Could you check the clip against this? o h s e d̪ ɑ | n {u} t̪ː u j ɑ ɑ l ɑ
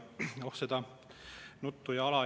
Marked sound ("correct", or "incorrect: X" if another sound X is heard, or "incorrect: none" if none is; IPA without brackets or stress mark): correct